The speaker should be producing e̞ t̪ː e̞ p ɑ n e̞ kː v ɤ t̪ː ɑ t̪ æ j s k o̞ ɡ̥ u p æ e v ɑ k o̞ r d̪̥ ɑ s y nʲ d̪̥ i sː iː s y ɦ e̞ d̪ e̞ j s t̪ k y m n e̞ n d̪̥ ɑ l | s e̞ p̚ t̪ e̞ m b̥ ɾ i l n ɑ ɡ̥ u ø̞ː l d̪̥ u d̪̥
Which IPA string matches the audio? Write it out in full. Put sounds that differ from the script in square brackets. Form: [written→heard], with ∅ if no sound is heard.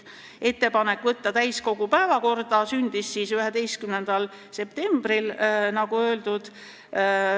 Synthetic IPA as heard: e̞ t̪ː e̞ p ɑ n e̞ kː v ɤ t̪ː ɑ t̪ æ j s k o̞ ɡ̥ u p æ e v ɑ k o̞ r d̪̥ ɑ s y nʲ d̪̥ i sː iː s y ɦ e̞ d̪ e̞ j s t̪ k y m n e̞ n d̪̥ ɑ l | s e̞ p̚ t̪ e̞ m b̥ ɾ i l n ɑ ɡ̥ u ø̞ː l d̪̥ u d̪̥